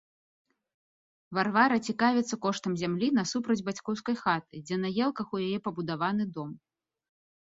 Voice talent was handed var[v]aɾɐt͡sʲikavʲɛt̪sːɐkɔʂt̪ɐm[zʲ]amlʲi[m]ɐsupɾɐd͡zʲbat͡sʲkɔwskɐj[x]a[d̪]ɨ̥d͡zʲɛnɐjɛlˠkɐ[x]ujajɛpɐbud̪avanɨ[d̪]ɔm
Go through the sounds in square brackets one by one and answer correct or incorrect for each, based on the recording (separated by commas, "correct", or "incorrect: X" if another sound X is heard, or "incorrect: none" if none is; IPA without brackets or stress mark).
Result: correct, correct, incorrect: n, correct, incorrect: t̪, correct, correct